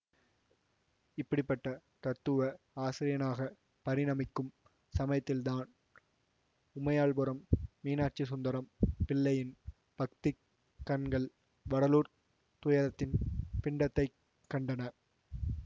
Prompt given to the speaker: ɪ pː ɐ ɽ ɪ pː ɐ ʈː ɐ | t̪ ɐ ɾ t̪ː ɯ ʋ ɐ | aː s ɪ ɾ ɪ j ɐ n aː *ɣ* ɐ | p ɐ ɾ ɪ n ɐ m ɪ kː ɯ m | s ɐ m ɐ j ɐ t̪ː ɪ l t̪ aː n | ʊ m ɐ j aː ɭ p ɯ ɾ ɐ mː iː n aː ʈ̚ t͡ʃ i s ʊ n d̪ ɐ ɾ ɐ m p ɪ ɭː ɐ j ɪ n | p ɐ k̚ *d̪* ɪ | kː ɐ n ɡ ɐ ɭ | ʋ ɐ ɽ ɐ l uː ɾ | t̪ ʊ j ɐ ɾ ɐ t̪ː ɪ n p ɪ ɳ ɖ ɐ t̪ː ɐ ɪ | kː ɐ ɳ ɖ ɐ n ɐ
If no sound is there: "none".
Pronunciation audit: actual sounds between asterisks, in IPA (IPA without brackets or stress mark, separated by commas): ɣ, t̪